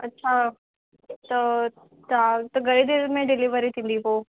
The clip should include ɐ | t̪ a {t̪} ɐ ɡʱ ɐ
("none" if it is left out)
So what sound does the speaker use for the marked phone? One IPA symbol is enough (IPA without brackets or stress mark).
t̪